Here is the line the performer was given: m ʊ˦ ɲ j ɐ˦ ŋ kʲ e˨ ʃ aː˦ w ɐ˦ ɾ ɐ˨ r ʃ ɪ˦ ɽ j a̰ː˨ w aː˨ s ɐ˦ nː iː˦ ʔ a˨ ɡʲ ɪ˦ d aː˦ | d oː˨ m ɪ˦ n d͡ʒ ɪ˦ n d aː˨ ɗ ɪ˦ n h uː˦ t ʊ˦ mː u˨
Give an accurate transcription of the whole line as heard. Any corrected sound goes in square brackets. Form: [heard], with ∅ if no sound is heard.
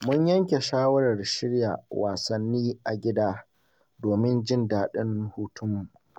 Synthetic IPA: m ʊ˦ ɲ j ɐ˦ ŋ kʲ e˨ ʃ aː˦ w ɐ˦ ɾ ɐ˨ r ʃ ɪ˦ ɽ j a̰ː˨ w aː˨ s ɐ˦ nː iː˦ ʔ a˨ ɡʲ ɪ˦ d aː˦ | d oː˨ m ɪ˦ n d͡ʒ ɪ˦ n d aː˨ ɗ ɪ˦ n h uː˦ t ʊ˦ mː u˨